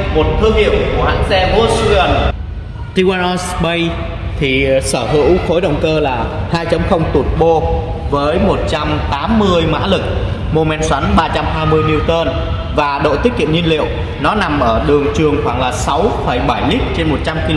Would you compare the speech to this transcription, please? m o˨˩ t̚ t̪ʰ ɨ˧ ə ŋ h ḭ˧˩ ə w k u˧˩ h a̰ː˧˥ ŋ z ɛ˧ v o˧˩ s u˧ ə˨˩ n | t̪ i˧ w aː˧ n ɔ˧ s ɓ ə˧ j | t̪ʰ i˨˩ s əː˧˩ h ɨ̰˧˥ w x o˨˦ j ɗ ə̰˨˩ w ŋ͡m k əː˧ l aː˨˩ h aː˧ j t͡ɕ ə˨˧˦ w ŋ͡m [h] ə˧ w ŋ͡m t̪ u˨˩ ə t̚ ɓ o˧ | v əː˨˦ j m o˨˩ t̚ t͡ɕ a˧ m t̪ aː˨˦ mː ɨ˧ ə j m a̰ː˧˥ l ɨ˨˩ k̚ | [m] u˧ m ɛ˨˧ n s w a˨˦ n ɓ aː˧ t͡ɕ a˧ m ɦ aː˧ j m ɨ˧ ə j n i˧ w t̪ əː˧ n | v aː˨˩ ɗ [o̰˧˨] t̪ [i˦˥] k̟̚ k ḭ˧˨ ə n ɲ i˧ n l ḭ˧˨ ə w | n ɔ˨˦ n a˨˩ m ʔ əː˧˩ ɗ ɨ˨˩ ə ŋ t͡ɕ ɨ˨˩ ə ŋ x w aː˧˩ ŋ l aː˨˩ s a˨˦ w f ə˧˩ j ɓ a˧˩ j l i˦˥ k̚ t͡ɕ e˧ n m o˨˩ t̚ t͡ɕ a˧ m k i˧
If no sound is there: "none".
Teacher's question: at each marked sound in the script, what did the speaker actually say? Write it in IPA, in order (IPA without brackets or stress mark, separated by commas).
x, m, o̰˧˨, i˦˥